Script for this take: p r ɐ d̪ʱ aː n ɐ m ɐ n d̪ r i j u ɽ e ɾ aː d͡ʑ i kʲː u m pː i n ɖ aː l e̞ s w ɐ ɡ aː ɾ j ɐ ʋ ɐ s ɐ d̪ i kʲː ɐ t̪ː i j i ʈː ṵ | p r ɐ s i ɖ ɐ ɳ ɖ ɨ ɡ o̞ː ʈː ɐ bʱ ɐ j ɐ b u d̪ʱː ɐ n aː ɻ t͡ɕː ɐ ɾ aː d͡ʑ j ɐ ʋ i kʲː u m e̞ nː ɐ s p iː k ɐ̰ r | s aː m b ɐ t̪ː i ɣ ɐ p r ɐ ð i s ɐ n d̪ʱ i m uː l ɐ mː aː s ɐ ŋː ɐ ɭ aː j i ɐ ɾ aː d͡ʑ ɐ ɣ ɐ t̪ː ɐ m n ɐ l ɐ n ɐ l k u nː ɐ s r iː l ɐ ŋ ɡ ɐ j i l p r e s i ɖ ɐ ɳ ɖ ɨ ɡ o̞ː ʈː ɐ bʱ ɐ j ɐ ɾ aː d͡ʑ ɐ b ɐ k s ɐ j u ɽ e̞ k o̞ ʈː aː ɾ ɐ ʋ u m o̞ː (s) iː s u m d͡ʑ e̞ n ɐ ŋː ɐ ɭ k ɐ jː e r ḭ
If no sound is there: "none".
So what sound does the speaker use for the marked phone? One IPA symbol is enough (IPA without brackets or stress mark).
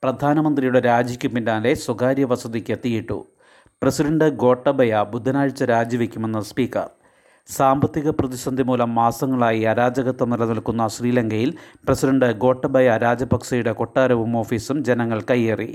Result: f